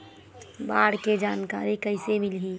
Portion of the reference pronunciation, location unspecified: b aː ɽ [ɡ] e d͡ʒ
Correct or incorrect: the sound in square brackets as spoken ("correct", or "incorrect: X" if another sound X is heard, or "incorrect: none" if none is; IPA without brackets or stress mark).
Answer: incorrect: k